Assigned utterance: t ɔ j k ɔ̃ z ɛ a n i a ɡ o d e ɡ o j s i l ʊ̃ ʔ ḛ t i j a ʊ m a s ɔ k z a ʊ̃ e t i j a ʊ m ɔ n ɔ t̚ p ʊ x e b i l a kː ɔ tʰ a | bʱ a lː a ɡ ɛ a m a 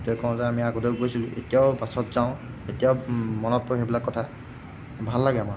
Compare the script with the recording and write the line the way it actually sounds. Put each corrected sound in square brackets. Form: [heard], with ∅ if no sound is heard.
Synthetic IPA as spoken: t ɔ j k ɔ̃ z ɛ a [m] i a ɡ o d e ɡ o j s i l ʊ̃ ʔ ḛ t i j a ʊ [b] a s ɔ [t] z a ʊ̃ e t i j a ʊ m ɔ n ɔ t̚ p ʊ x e b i l a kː ɔ tʰ a | bʱ a lː a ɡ ɛ a m a